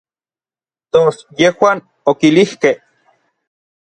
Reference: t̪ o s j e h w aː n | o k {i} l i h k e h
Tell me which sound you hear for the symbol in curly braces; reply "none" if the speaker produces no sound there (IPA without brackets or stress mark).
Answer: i